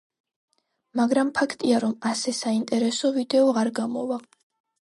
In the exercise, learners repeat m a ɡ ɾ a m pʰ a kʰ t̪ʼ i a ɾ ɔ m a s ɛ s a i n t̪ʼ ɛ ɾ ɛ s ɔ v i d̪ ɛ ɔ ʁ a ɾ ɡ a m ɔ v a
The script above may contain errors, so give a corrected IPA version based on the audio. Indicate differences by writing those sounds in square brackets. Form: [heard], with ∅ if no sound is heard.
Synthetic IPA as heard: m a ɡ ɾ a m pʰ a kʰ t̪ʼ i a ɾ ɔ m a s ɛ s a i n t̪ʼ ɛ ɾ ɛ s ɔ v i d̪ ɛ ɔ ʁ a ɾ ɡ a m ɔ v a